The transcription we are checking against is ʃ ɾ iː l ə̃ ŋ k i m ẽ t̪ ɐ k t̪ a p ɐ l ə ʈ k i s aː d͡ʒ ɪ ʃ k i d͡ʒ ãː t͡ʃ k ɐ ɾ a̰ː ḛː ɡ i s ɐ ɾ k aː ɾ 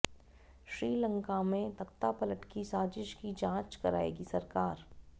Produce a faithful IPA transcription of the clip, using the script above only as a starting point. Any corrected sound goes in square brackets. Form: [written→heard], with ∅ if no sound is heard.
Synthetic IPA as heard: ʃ ɾ iː l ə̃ ŋ k [i→a] m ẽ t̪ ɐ k t̪ a p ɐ l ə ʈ k i s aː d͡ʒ ɪ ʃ k i d͡ʒ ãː t͡ʃ k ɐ ɾ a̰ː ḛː ɡ i s ɐ ɾ k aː ɾ

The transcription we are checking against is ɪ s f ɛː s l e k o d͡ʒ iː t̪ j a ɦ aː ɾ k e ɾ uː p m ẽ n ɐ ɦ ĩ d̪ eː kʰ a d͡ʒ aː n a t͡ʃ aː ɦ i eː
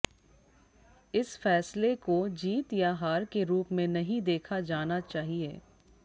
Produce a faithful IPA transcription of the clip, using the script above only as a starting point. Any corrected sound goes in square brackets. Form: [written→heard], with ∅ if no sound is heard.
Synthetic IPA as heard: ɪ s f ɛː s l e k o d͡ʒ iː t̪ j a ɦ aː ɾ k e ɾ uː p m ẽ n ɐ ɦ ĩ d̪ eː kʰ a d͡ʒ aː n a t͡ʃ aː ɦ i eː

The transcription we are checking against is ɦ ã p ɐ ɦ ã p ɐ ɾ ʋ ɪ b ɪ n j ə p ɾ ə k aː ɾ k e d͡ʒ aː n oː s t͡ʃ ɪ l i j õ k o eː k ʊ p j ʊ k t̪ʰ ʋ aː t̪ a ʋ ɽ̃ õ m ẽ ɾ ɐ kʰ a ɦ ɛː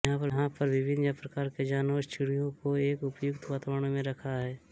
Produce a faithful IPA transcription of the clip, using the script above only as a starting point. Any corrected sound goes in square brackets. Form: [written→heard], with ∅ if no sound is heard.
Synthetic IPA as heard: ɦ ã p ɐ ɦ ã p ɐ ɾ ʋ ɪ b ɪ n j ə p ɾ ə k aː ɾ k e d͡ʒ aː n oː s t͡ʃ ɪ [l→ɽ] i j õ k o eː k ʊ p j ʊ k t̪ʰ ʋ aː t̪ a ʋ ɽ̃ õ m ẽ ɾ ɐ kʰ a ɦ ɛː

